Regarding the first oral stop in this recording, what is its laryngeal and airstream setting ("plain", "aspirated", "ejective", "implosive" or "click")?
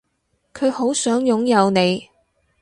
aspirated